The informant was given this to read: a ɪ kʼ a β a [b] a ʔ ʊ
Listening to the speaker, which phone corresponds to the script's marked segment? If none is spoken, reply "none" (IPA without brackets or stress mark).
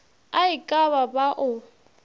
b